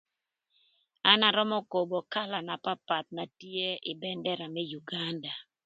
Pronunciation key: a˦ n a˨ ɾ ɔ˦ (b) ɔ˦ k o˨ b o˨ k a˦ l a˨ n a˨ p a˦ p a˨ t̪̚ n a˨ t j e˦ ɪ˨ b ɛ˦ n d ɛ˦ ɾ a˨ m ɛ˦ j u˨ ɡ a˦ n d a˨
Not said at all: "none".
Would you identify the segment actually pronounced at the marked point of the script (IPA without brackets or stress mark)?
m